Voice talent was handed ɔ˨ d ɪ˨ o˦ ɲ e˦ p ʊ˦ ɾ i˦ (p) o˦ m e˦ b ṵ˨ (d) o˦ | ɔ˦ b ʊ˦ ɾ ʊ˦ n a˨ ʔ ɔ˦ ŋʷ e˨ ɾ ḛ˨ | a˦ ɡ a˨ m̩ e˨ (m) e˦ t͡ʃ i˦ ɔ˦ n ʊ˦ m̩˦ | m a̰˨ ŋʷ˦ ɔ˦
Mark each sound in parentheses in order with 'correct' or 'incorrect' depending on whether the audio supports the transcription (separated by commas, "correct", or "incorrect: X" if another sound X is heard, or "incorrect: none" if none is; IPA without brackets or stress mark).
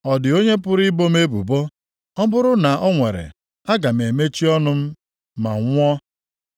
incorrect: b, incorrect: b, correct